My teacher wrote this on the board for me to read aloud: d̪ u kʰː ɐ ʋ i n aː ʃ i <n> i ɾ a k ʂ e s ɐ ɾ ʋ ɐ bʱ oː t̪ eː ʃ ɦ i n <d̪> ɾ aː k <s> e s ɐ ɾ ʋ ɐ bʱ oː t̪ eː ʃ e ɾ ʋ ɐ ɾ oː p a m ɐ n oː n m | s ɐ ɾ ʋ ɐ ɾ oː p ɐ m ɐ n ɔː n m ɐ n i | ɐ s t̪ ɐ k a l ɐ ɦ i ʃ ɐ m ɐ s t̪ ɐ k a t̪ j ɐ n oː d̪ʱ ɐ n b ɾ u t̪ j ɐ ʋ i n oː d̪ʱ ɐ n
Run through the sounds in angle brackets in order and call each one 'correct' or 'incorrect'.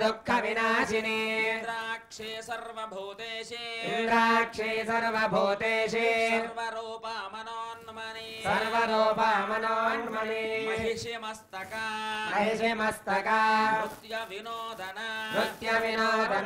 correct, correct, incorrect: ʂ

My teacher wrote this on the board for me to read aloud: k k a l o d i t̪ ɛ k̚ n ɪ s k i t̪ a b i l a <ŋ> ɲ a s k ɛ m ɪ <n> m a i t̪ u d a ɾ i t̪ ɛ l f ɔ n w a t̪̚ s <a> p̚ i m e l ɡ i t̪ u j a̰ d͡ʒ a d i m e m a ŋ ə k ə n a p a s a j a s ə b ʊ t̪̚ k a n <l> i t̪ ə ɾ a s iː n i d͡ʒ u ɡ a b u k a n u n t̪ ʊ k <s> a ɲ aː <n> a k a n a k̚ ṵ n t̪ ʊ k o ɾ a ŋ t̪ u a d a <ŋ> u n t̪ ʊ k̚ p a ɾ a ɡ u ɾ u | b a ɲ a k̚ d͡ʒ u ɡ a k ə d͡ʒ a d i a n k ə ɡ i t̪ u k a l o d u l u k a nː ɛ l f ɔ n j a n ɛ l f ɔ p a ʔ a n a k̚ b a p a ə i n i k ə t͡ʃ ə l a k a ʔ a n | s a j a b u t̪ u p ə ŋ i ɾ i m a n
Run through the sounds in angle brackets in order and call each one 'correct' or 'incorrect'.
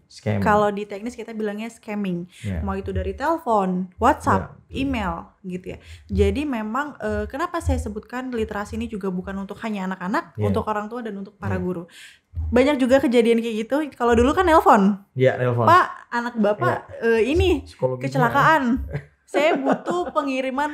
correct, incorrect: ŋ, correct, correct, incorrect: h, correct, incorrect: n

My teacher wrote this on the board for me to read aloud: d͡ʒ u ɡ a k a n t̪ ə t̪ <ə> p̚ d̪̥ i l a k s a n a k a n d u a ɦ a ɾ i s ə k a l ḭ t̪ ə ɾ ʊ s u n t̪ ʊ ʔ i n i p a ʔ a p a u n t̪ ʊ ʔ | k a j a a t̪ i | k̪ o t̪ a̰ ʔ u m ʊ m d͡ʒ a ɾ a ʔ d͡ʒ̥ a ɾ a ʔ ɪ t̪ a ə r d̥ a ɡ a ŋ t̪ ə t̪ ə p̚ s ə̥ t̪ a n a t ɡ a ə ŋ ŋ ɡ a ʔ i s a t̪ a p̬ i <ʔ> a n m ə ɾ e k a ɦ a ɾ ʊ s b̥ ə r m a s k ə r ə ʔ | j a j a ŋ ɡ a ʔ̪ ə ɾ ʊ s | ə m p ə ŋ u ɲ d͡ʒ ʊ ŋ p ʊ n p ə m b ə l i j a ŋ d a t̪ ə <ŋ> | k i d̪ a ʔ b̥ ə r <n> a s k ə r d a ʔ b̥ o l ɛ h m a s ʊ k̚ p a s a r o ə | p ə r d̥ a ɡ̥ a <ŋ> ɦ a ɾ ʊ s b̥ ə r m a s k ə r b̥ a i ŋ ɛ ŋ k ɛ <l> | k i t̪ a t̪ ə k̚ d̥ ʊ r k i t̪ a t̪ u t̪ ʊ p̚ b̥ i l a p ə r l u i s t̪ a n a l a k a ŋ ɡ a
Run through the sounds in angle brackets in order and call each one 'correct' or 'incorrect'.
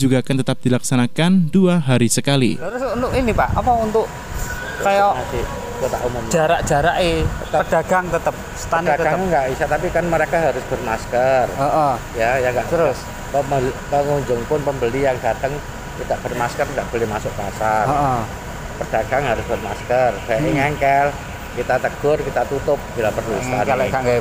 incorrect: a, incorrect: k, correct, incorrect: m, correct, correct

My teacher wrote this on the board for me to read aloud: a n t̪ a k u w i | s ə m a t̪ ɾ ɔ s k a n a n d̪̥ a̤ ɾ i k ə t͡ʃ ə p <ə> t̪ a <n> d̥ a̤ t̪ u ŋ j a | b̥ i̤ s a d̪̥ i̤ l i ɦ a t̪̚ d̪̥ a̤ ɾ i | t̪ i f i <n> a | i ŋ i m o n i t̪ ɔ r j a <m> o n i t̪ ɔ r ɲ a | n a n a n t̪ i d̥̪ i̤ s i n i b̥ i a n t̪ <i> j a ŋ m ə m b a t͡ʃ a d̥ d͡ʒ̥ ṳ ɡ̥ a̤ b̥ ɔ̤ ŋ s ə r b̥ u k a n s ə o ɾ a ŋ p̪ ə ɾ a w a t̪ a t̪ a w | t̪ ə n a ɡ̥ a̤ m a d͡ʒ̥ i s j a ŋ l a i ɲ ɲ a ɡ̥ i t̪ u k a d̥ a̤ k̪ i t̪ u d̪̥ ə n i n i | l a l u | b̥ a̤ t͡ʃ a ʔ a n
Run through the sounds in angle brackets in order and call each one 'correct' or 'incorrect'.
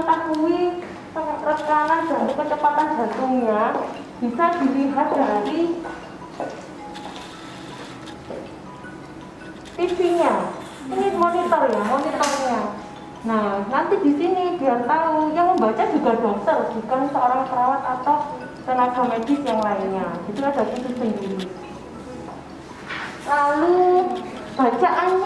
incorrect: a, correct, incorrect: ɲ, correct, incorrect: a

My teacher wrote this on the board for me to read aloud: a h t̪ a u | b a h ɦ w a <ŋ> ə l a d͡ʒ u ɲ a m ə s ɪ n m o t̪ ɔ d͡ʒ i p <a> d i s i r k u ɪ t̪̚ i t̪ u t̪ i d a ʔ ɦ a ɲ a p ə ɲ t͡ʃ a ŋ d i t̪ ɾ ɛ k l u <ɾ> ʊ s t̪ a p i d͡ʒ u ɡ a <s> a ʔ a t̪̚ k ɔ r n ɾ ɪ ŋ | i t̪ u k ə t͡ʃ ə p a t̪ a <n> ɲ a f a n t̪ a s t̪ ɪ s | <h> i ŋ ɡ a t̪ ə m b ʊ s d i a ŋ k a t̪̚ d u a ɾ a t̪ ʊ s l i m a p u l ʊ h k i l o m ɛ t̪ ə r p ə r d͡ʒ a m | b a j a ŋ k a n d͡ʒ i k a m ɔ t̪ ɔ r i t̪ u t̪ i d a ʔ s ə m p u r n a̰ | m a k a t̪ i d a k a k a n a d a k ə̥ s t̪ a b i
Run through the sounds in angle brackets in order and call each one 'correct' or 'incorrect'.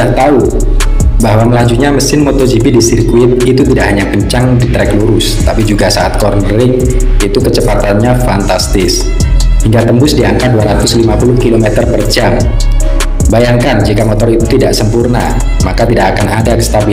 incorrect: m, incorrect: i, correct, correct, correct, correct

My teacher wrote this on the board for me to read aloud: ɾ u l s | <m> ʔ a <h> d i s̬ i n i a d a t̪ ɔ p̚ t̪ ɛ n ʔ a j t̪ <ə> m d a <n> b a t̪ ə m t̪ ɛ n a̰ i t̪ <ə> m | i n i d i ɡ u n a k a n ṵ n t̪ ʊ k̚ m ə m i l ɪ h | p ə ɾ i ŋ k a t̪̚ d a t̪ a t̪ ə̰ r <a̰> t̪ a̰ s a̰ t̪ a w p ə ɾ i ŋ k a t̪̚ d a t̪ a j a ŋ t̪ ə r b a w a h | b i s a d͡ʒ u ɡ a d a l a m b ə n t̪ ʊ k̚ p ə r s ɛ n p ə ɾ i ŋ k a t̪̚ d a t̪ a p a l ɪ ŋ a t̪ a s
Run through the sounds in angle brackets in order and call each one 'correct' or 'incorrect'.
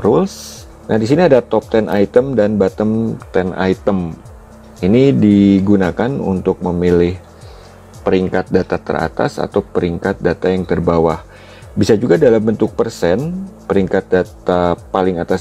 incorrect: n, correct, correct, correct, correct, correct

